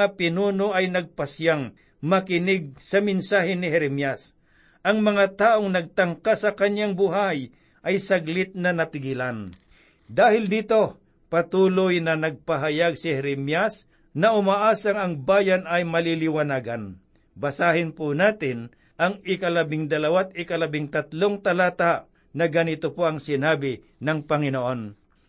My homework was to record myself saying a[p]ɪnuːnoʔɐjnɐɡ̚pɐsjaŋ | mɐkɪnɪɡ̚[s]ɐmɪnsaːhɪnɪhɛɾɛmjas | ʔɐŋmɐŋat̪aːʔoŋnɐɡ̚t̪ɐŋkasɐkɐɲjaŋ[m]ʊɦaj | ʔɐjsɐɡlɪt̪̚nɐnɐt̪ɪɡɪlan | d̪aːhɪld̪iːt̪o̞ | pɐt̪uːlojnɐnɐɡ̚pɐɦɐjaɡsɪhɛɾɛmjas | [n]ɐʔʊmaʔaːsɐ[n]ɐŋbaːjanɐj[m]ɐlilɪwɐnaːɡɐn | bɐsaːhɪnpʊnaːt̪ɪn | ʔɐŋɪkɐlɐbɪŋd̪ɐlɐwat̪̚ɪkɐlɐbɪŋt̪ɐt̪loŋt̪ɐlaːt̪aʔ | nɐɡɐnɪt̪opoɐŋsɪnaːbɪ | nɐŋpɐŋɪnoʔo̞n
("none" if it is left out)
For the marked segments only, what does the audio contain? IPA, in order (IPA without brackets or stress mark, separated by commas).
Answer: p, s, b, n, ŋ, m